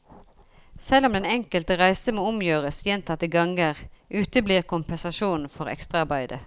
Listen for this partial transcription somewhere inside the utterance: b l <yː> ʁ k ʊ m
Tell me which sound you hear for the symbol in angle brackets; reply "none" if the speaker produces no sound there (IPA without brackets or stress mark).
iː